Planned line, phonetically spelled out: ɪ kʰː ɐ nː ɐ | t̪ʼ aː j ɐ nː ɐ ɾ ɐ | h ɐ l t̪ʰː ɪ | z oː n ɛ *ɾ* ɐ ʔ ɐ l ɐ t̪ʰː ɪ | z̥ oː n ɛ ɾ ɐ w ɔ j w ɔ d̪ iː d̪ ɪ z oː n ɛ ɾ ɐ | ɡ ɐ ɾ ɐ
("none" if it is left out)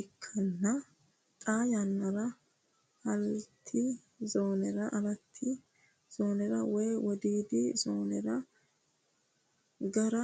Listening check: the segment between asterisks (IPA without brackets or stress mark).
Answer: ɾ